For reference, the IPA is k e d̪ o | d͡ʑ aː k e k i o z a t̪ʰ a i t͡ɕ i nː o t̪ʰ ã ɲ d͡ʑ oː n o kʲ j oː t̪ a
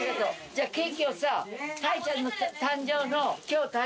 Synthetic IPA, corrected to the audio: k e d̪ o | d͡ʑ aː k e k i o s a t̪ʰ a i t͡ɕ a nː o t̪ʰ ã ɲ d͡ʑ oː n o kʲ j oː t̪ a